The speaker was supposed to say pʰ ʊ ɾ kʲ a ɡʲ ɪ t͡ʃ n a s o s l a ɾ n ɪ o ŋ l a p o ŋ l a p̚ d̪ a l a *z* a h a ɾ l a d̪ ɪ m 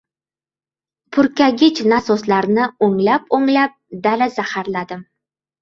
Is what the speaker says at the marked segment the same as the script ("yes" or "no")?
yes